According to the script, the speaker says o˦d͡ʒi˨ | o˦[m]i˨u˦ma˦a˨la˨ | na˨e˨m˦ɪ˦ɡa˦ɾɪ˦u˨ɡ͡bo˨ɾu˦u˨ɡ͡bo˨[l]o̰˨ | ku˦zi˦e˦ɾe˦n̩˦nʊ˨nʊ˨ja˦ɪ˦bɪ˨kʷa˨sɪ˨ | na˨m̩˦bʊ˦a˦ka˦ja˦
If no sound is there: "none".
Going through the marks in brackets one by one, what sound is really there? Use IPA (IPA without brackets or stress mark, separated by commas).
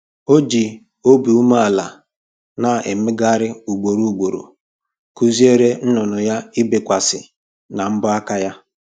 b, ɾ